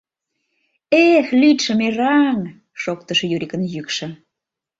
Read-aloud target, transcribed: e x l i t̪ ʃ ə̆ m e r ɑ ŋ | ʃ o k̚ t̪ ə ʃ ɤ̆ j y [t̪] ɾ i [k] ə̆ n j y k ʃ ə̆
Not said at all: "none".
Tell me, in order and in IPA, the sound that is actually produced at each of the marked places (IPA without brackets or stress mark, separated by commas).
none, k